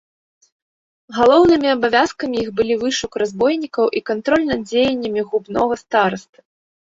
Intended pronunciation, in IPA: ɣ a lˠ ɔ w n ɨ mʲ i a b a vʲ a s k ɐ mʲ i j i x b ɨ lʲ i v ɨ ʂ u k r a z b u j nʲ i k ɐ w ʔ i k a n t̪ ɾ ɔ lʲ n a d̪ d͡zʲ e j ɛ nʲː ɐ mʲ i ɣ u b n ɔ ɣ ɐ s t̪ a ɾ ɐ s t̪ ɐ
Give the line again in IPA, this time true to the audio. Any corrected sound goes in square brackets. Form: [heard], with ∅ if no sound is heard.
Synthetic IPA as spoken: ɣ a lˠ ɔ w n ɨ mʲ i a b a vʲ a s k ɐ mʲ i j i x b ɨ lʲ i v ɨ ʂ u k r a z b [ɔ] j nʲ i k ɐ w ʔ i k a n t̪ ɾ ɔ lʲ n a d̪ d͡zʲ e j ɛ nʲː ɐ mʲ i ɣ u b n ɔ ɣ ɐ s t̪ a ɾ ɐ s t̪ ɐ